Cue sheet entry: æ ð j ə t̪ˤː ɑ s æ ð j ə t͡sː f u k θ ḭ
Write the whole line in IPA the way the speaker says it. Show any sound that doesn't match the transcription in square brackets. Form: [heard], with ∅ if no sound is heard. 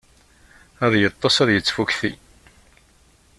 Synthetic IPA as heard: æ ð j ə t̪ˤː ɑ s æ ð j ə t͡sː f u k θ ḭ